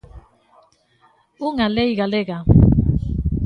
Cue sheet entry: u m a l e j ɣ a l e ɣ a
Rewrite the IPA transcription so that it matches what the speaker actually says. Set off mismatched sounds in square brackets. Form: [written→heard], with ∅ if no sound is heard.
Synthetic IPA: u [m→ŋ] a l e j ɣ a l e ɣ a